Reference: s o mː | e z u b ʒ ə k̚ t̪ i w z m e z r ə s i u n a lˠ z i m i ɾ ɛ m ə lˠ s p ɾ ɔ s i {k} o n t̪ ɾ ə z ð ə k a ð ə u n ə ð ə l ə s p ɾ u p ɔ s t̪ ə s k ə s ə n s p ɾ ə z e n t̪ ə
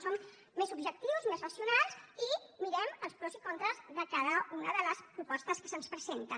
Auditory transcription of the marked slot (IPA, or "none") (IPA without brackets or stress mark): k